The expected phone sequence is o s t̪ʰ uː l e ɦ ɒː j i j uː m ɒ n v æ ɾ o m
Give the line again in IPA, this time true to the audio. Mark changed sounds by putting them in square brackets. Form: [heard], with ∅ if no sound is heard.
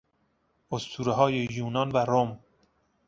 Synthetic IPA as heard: o s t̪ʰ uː [ɾ] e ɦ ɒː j [e] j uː [n] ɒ n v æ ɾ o m